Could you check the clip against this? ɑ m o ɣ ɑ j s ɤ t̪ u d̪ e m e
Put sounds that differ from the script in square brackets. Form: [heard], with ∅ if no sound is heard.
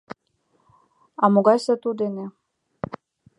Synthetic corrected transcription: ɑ m o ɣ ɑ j s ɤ t̪ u d̪ e [n] e